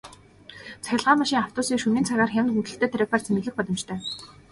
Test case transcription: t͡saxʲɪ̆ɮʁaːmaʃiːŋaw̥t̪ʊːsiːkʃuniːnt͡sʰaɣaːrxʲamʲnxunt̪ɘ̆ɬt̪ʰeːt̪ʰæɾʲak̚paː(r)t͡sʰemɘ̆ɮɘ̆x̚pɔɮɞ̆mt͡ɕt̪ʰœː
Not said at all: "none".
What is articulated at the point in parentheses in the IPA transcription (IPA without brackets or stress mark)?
r